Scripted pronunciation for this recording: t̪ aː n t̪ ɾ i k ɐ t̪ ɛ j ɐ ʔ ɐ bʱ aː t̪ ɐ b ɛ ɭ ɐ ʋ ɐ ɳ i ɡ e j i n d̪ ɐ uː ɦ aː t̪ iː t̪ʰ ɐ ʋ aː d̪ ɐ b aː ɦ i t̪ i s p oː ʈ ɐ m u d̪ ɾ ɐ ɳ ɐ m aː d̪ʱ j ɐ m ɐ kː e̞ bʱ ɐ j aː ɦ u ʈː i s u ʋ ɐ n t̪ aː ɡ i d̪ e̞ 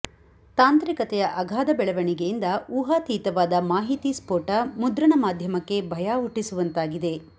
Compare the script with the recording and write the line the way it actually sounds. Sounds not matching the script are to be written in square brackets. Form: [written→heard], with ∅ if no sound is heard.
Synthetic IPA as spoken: t̪ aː n t̪ ɾ i k ɐ t̪ ɛ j ɐ ʔ ɐ [bʱ→ɡʱ] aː [t̪→d̪] ɐ b ɛ ɭ ɐ ʋ ɐ ɳ i ɡ e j i n d̪ ɐ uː ɦ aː t̪ iː [t̪ʰ→t̪] ɐ ʋ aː d̪ ɐ [b→m] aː ɦ i t̪ i s p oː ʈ ɐ m u d̪ ɾ ɐ ɳ ɐ m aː d̪ʱ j ɐ m ɐ kː e̞ bʱ ɐ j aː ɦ u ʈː i s u ʋ ɐ n t̪ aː ɡ i d̪ e̞